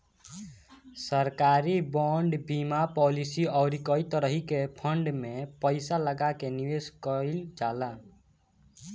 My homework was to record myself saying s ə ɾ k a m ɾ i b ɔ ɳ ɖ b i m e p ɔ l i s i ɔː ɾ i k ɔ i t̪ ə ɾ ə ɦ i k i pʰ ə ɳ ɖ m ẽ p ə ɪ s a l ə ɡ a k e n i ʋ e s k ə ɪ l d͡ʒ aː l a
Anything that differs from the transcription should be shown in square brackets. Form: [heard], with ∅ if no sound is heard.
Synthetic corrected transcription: s ə ɾ k a [∅] ɾ i b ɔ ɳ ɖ b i m [a] p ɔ l i s i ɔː ɾ i k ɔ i t̪ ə ɾ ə ɦ i k [e] pʰ ə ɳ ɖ m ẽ p ə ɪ s a l ə ɡ a k e n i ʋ e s k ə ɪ l d͡ʒ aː l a